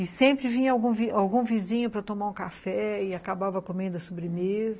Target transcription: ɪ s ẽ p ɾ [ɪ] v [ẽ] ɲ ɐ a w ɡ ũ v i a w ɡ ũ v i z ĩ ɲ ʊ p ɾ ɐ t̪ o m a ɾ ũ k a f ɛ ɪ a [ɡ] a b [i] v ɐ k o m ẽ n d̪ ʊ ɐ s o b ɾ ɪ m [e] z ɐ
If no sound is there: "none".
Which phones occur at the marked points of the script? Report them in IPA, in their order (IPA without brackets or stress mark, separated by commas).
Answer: ɪ, ĩ, k, a, e